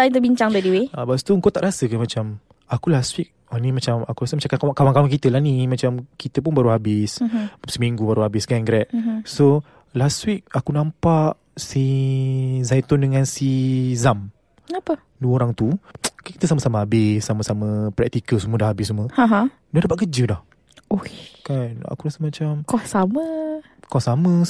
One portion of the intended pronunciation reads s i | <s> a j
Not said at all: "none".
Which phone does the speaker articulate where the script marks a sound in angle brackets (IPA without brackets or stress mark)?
z